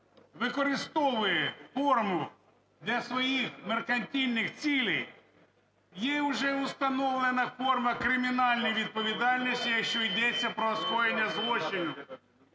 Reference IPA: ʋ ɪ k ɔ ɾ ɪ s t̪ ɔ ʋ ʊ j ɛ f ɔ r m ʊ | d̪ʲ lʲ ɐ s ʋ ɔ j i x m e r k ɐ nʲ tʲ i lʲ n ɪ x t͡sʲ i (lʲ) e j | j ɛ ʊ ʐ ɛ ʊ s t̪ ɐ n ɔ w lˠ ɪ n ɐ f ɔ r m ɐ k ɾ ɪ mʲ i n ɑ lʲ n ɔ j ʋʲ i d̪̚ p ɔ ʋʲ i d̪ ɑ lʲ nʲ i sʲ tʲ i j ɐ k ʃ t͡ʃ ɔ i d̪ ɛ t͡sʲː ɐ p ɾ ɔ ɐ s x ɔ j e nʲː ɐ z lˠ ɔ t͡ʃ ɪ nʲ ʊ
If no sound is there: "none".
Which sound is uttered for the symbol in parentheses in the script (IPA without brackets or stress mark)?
lʲ